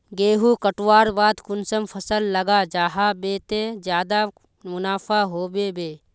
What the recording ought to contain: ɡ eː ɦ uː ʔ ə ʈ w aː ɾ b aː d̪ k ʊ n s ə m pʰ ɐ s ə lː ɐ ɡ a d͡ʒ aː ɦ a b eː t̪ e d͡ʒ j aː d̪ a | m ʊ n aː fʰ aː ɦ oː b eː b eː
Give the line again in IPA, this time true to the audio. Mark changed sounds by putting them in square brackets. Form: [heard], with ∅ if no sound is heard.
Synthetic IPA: ɡ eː ɦ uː [k] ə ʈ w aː ɾ b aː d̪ k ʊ n s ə m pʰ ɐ s ə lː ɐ ɡ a d͡ʒ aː ɦ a b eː t̪ e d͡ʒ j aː d̪ a | m ʊ n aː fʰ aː ɦ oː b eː b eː